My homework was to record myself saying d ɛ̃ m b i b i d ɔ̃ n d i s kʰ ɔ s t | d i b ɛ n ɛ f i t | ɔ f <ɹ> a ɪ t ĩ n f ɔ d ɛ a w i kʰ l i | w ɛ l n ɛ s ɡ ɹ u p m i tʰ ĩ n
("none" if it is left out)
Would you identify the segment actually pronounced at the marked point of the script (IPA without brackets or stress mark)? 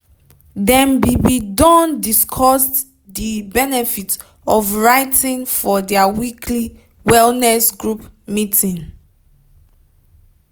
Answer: ɹ